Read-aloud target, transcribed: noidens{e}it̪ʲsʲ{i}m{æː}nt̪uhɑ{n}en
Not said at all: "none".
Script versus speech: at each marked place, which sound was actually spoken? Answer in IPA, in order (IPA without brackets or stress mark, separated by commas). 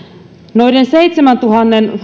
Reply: e, e, æ, nː